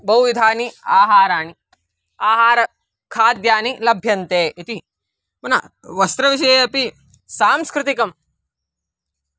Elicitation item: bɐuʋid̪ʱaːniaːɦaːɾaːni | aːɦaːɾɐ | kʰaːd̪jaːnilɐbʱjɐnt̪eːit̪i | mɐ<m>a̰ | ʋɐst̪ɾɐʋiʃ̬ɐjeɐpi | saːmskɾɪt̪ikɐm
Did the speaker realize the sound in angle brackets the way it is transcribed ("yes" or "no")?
no